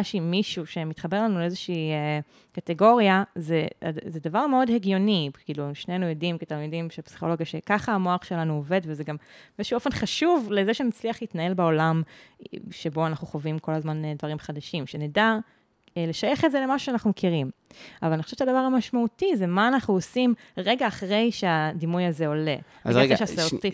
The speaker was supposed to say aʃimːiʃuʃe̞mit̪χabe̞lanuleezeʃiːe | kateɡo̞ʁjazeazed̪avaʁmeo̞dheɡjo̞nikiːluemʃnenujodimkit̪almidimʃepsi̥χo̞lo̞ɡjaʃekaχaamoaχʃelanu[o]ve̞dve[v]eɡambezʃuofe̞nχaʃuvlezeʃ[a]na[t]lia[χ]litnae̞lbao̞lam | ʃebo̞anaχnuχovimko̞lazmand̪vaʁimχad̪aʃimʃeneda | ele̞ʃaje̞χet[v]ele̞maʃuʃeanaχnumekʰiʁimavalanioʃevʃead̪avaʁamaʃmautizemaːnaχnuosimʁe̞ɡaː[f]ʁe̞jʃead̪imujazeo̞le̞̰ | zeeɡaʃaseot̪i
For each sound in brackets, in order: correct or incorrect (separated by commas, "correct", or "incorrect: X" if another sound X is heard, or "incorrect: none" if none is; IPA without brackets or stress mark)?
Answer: correct, incorrect: z, incorrect: e, incorrect: t͡s, correct, incorrect: z, incorrect: χ